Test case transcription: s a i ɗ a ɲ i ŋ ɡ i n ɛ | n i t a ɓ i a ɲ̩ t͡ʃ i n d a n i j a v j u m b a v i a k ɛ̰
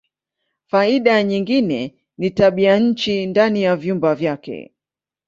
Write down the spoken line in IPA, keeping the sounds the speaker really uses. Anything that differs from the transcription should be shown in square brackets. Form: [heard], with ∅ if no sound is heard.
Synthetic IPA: [f] a i ɗ a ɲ i ŋ ɡ i n ɛ | n i t a ɓ i a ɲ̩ t͡ʃ i n d a n i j a v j u m b a v [j] a k ɛ̰